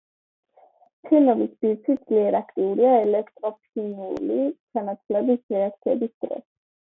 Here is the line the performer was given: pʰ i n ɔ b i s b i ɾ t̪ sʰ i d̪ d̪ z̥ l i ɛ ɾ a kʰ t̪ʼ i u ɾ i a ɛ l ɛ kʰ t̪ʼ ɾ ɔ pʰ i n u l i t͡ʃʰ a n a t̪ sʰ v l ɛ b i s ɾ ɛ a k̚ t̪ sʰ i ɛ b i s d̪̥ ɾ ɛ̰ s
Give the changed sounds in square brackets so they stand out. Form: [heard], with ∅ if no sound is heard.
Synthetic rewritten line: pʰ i n ɔ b i s b i ɾ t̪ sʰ i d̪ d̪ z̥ l i ɛ ɾ a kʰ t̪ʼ i u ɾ i a ɛ l ɛ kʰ t̪ʼ ɾ ɔ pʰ i n u l i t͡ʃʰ a n a t̪ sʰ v l ɛ b i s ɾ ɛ a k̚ t̪ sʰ i ɛ b i s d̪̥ ɾ ɛ̰ s